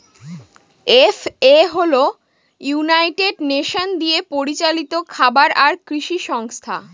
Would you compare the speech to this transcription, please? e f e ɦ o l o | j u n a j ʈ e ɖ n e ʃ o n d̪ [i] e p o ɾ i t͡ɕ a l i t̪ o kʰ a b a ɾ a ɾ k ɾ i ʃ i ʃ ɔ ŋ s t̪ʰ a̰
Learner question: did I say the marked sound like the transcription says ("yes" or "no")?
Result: yes